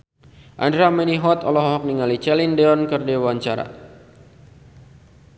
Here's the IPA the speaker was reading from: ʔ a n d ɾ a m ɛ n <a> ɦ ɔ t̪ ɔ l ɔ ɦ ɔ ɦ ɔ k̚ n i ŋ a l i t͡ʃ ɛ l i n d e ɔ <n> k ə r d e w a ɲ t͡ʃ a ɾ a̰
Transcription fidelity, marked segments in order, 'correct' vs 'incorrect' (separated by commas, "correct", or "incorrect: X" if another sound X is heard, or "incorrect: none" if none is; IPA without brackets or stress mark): incorrect: i, correct